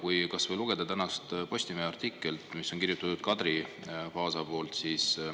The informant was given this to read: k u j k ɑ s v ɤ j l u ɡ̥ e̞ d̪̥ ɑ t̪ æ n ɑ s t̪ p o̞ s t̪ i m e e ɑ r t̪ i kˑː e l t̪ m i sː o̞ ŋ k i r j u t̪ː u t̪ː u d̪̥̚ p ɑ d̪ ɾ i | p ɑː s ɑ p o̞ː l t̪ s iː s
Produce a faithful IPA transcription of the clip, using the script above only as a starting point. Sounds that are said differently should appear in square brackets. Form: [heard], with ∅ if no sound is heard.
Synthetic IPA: k u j k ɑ s v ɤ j l u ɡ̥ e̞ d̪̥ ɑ t̪ æ n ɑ s t̪ p o̞ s t̪ i m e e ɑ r t̪ i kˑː e l t̪ m i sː o̞ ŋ k i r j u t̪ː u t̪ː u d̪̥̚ [k] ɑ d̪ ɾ i | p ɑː s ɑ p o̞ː l t̪ s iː s